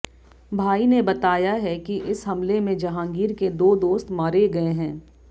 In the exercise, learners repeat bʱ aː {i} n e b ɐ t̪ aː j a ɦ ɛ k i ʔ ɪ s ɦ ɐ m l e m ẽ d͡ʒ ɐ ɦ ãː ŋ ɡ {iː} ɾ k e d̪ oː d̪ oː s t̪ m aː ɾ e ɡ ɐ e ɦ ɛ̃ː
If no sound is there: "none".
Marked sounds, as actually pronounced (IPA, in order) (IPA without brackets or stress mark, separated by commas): i, iː